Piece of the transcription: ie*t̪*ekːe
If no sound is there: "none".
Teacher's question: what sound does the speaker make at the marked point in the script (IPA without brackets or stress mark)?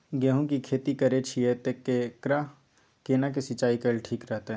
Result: t̪